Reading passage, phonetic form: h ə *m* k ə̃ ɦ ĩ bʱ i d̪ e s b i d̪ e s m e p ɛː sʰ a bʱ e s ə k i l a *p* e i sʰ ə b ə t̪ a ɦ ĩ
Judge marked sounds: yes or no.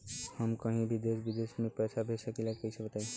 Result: yes, no

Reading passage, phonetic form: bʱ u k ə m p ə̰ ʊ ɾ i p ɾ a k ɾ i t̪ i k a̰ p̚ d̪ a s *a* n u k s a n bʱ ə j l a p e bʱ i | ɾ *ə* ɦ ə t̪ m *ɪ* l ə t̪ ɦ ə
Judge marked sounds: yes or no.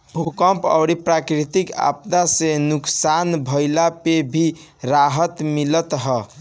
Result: no, no, no

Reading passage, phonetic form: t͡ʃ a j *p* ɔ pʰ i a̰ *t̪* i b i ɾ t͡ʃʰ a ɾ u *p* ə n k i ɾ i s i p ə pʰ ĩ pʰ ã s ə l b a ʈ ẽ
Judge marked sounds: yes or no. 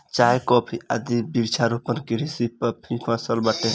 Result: no, no, yes

